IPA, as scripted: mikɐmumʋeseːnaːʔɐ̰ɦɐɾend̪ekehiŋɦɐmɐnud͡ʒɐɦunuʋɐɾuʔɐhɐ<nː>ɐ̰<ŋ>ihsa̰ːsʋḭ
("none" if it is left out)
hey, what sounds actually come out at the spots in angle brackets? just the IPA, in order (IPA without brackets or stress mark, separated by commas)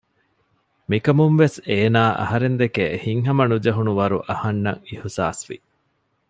nː, ŋ